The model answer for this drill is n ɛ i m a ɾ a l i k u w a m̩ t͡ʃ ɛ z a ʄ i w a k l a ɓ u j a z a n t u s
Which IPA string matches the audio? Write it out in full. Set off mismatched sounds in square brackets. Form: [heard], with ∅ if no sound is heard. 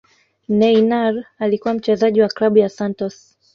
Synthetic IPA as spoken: n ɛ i [n] a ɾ a l i k u w a m̩ t͡ʃ ɛ z a ʄ i w a k l a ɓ u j a [s] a n t [ɔ] s

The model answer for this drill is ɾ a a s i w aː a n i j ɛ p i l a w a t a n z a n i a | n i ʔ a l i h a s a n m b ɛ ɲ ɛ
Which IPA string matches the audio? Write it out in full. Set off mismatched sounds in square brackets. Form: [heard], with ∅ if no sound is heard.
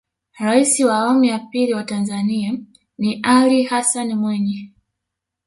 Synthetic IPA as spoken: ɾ a [i] s i w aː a [m] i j [a] p i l [i] w a t a n z a n i a | n i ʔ a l i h a s a n m [w] ɛ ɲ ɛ

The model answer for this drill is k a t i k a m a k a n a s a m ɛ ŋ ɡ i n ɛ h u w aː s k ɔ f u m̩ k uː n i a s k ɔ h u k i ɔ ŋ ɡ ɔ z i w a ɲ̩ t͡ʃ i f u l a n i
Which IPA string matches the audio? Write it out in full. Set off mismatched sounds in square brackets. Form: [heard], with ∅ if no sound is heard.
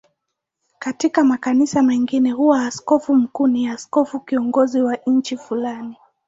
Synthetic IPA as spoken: k a t i k a m a k a n [i] s a m ɛ ŋ ɡ i n ɛ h u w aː s k ɔ f u m̩ k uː n i a s k ɔ [f] u k i ɔ ŋ ɡ ɔ z i w a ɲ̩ t͡ʃ i f u l a n i

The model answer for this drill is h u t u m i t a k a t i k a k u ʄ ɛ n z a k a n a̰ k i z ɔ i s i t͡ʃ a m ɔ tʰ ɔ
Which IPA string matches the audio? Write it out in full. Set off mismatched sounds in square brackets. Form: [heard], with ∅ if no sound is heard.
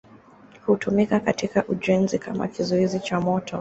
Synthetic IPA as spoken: h u t u m i [k] a k a t i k a [ʔ] u ʄ ɛ n z [i] k a [m] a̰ k i z ɔ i [z] i t͡ʃ a m ɔ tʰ ɔ

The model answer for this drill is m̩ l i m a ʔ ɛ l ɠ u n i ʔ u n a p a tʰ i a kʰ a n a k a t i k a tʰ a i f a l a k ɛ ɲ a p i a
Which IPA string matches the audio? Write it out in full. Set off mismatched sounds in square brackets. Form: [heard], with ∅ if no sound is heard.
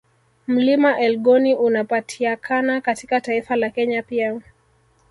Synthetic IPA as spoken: m̩ l i m a ʔ ɛ l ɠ [ɔ] n i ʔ u n a p a tʰ i a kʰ a n a k a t i k a [t] a i f a l a k ɛ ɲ a p i a

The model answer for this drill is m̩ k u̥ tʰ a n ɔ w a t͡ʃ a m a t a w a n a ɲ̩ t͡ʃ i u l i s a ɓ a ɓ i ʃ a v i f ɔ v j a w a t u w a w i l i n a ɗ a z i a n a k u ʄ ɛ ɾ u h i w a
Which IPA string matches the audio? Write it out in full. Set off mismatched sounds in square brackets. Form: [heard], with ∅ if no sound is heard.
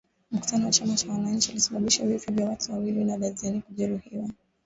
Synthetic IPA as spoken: m̩ k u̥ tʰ a n ɔ w a t͡ʃ a m a [t͡ʃ] a w a n a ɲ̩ t͡ʃ i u l i s a ɓ a ɓ i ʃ a v i f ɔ v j a w a t u w a w i l i n a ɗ a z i a n [i] k u ʄ ɛ ɾ u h i w a

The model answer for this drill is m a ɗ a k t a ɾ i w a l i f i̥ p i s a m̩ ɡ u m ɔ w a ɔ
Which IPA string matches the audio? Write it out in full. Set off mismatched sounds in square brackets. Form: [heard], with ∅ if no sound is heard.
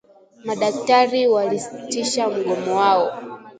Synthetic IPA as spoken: m a ɗ a k t a ɾ i w a l i [s] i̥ [t] i [ʃ] a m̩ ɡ [ɔ] m ɔ w a ɔ

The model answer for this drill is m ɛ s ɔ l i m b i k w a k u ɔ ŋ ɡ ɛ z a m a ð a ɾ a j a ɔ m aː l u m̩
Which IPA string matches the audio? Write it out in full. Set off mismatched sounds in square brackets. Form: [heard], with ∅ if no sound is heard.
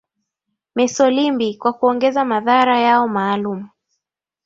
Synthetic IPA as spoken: m ɛ s ɔ l i m b i k w a k u ɔ ŋ ɡ ɛ z a m a ð a ɾ a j a ɔ m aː l u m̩

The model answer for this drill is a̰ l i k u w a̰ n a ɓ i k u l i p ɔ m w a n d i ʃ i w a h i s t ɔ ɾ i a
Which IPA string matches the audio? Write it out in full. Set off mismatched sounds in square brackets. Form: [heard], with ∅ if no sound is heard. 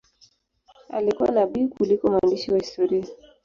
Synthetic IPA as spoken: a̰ l i k u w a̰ n a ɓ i k u l i [k] ɔ m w a n d i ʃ i w a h i s t ɔ ɾ i a

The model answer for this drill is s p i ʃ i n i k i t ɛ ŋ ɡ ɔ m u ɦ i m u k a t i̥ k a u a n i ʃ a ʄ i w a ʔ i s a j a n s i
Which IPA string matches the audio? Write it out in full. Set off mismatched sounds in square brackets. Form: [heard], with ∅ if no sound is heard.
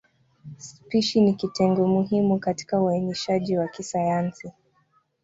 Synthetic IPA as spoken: s p i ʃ i n i k i t ɛ ŋ ɡ ɔ m u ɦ i m u k a t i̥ k a u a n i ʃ a ʄ i w a [k] i s a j a n s i

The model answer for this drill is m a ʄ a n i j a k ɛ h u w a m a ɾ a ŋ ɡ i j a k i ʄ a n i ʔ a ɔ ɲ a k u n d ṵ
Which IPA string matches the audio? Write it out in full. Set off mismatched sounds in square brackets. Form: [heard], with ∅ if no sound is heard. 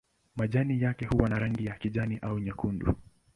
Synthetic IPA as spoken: m a ʄ a n i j a k ɛ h u w a [n] a ɾ a ŋ ɡ i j a k i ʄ a n i ʔ a [u] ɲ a k u n d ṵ

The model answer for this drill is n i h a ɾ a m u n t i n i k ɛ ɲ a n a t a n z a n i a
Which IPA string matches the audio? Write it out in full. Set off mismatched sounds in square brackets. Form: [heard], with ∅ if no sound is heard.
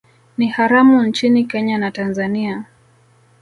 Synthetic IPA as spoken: n i h a ɾ a m u n [t͡ʃ] i n i k ɛ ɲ a n a t a n z a n i a

